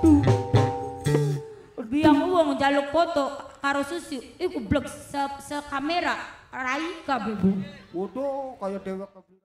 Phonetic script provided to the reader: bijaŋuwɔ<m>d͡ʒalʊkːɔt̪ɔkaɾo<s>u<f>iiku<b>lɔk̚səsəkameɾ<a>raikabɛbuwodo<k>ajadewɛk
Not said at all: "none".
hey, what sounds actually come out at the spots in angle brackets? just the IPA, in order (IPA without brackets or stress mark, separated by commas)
ŋ, s, s, b, a, k